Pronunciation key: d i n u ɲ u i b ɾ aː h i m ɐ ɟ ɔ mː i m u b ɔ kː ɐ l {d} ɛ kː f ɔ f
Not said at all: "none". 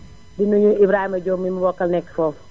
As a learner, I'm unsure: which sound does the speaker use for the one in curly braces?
n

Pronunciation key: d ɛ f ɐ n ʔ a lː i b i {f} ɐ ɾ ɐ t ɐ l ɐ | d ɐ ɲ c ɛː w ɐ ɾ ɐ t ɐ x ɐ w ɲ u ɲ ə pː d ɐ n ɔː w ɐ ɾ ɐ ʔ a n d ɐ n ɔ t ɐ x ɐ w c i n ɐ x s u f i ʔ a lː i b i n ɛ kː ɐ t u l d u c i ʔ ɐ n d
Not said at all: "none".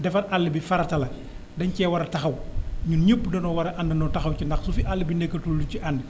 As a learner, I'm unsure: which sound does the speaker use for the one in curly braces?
f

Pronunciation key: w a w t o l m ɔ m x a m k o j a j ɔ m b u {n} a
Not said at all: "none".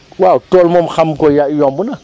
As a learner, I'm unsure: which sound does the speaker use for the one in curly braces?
n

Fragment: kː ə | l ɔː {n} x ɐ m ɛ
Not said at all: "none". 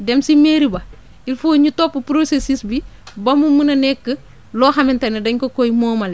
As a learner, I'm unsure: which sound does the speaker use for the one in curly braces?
none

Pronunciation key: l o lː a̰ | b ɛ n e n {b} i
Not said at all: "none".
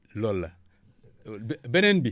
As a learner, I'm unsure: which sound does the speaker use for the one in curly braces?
b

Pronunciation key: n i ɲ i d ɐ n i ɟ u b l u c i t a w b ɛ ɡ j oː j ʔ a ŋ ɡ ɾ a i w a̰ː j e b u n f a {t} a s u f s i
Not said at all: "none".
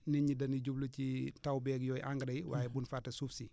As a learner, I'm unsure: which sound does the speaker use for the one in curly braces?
t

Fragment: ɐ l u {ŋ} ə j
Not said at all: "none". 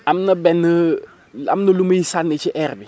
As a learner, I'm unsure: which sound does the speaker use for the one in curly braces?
m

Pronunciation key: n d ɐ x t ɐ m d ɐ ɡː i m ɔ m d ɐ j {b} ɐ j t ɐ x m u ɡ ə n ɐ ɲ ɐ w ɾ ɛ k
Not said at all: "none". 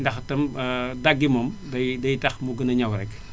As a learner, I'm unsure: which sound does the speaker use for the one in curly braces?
d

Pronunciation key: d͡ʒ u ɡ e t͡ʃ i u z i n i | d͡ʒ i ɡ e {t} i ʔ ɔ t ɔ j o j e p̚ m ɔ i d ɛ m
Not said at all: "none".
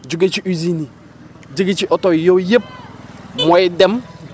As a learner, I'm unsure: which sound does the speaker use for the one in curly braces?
t͡ʃ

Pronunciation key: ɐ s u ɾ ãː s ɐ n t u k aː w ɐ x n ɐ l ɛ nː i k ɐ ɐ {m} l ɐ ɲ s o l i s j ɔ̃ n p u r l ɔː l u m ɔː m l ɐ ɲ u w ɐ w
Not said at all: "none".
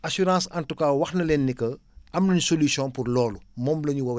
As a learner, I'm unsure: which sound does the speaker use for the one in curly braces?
m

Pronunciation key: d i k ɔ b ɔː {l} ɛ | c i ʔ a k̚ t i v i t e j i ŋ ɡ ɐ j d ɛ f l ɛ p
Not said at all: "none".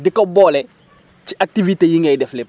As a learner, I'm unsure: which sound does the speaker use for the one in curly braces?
l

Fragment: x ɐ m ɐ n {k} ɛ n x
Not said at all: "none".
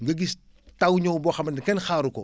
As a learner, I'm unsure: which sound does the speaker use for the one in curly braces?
k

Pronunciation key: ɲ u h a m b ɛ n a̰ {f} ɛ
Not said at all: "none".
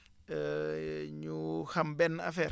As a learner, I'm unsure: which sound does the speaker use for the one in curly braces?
f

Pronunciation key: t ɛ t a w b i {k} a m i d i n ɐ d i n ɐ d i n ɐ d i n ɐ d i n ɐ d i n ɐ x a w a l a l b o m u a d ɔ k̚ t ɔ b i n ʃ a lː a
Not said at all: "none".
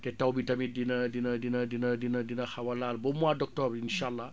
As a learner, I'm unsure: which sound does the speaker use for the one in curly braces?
t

